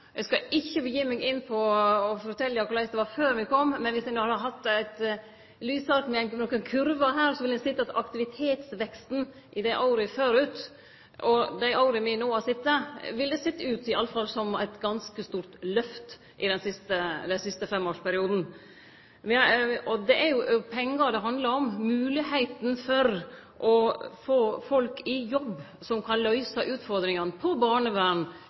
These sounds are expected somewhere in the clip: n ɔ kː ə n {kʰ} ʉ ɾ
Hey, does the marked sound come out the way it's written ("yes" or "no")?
yes